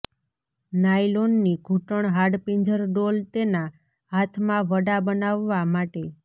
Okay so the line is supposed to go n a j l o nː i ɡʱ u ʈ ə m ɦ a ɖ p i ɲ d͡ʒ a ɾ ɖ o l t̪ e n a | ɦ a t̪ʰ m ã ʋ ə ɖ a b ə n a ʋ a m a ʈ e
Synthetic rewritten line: n a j l o nː i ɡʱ u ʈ ə ɳ ɦ a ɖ p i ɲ d͡ʒ ə ɾ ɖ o l t̪ e n a | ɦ a t̪ʰ m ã ʋ ə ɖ a b ə n a ʋː a m a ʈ e